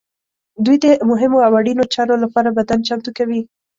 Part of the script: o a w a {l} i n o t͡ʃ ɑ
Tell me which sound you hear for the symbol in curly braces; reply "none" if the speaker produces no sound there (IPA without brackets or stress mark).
ɽ